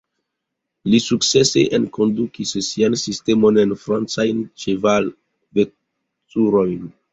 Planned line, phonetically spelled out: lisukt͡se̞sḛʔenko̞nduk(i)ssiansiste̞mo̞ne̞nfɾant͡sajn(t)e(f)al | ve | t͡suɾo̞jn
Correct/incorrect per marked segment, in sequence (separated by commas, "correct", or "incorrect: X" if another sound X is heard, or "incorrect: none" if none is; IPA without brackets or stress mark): correct, incorrect: t͡ʃ, incorrect: v